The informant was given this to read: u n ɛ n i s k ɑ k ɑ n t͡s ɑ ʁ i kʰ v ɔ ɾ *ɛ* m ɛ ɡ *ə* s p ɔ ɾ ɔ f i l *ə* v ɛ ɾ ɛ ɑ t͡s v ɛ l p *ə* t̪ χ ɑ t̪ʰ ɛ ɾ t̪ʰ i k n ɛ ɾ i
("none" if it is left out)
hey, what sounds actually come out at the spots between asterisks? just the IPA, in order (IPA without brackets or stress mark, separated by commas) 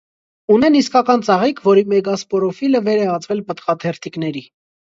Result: i, ɑ, ə, ə